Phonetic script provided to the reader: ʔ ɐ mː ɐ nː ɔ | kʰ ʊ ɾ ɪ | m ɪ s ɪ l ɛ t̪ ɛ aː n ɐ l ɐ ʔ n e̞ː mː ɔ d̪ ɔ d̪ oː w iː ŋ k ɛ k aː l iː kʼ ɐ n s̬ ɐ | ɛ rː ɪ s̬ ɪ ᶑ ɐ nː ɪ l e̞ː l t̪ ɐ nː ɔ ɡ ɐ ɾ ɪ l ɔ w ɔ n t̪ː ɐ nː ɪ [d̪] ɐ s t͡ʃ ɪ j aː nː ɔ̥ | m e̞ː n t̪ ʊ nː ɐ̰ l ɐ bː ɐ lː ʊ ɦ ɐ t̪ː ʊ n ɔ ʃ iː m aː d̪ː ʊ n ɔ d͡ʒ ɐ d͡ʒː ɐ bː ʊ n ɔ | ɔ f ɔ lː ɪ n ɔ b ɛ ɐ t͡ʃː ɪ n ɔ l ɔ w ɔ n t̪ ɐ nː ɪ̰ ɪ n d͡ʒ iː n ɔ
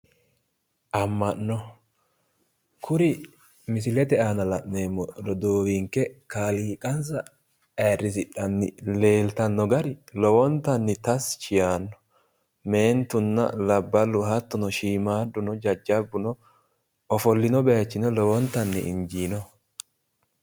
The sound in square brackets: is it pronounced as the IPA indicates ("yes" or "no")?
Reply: no